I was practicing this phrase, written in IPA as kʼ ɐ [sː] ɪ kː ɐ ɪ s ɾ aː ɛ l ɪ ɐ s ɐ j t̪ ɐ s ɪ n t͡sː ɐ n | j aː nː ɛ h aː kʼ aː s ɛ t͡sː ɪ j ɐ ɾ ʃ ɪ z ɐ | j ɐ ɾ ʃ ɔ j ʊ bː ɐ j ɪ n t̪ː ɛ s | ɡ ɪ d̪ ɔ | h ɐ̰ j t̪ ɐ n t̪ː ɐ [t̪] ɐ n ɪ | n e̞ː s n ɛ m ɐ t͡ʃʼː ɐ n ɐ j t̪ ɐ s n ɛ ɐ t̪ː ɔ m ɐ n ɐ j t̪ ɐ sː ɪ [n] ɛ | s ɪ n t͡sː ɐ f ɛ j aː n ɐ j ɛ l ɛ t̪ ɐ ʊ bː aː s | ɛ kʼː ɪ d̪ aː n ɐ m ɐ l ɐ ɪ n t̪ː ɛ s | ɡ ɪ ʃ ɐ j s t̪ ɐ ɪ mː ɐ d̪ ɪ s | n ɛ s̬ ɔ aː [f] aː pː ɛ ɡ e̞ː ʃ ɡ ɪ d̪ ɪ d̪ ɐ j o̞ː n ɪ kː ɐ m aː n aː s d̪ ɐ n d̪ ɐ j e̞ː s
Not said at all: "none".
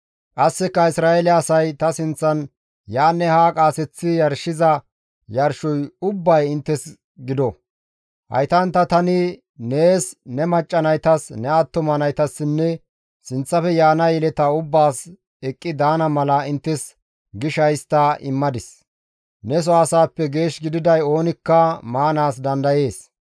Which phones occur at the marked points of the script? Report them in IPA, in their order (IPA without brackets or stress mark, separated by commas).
sː, t̪, nː, s